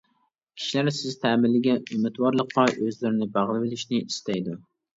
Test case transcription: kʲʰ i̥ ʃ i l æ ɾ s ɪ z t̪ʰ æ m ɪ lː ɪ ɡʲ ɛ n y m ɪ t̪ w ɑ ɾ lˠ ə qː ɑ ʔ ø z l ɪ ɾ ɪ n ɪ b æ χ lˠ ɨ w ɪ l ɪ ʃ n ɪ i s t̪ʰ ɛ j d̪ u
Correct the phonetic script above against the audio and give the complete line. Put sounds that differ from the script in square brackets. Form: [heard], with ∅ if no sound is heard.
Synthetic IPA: kʲʰ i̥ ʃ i l æ ɾ s ɪ z t̪ʰ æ m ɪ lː ɪ ɡʲ ɛ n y m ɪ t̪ w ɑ ɾ lˠ ə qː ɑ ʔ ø z l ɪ ɾ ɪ n ɪ b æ [ʁ] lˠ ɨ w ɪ l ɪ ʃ n ɪ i s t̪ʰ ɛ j d̪ u